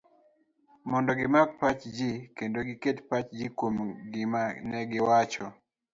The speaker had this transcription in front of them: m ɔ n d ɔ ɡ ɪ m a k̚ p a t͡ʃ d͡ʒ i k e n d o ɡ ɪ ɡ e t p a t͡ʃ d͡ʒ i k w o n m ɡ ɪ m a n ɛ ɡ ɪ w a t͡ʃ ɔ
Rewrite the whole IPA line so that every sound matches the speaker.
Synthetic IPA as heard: m ɔ n d ɔ ɡ ɪ m a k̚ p a t͡ʃ d͡ʒ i k e n d o ɡ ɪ k e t p a t͡ʃ d͡ʒ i k w o m ɡ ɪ m a n ɛ ɡ ɪ w a t͡ʃ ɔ